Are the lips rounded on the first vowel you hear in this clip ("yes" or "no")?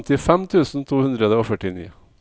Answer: no